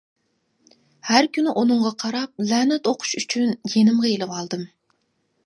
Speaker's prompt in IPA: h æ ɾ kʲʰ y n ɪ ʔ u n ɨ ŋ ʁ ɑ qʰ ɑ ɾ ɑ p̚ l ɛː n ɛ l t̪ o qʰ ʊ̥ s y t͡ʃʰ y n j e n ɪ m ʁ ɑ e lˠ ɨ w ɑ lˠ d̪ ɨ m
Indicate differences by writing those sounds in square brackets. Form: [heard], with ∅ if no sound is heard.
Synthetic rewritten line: h æ ɾ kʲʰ y n ɪ ʔ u n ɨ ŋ ʁ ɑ qʰ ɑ ɾ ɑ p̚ l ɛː n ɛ [∅] t̪ o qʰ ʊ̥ [ʃ] y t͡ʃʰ y n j e n ɪ m ʁ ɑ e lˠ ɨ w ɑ lˠ d̪ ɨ m

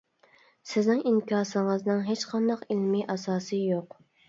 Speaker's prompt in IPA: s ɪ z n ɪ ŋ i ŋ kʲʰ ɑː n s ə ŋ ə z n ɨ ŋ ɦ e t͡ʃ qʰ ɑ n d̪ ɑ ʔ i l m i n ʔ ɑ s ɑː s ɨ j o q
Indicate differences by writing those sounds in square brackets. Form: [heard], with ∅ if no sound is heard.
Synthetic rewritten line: s ɪ z n ɪ ŋ i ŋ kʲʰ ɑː [∅] s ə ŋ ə z n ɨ ŋ ɦ e t͡ʃ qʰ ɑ n d̪ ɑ [q] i l m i [∅] ʔ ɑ s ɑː s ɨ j o q

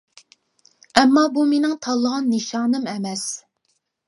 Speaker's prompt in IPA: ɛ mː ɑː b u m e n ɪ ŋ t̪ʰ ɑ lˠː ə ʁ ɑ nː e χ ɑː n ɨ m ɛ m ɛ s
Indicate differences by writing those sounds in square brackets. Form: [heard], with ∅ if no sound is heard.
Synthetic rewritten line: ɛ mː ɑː b u m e n ɪ ŋ t̪ʰ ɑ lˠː ə ʁ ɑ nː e [ʃ] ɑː n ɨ m ɛ m ɛ s

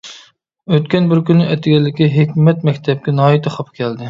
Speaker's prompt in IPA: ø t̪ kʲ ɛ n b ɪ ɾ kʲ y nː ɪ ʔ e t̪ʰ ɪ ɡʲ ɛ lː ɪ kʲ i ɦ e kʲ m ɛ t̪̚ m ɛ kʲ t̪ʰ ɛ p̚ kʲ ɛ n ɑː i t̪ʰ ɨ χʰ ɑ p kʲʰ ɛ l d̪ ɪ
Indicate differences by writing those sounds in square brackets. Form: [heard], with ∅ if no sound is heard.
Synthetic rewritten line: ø t̪ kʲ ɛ n b ɪ ɾ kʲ y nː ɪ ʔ [ɛ] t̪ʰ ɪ ɡʲ ɛ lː ɪ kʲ i ɦ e kʲ m ɛ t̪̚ m ɛ kʲ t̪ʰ ɛ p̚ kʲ ɛ n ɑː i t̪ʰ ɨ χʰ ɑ p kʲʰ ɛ l d̪ ɪ

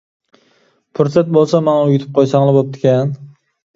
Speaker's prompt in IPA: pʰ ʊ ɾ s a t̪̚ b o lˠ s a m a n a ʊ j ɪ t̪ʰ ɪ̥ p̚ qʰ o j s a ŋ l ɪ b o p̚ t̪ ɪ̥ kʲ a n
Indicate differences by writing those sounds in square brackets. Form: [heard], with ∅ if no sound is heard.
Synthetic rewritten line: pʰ ʊ ɾ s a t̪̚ b o lˠ s a m a n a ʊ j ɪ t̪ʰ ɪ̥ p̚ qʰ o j s a ŋ l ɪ b o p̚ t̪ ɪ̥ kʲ a n

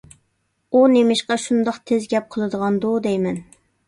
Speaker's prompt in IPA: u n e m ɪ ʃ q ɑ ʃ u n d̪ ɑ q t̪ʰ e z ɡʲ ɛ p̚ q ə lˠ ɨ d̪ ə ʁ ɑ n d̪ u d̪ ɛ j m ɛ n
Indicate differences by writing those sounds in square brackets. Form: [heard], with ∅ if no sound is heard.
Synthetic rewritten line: u n e m ɪ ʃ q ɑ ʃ u n d̪ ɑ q t̪ʰ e z ɡʲ ɛ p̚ [qʰ] ə lˠ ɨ d̪ ə ʁ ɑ n d̪ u d̪ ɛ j m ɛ n

